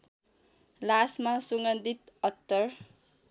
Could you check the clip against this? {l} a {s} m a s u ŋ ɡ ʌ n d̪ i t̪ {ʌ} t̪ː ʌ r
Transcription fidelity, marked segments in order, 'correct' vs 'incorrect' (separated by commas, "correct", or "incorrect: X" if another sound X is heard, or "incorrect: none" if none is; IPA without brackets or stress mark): correct, correct, correct